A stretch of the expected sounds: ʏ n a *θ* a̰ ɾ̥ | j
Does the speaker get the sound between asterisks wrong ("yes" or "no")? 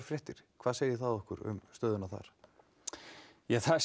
no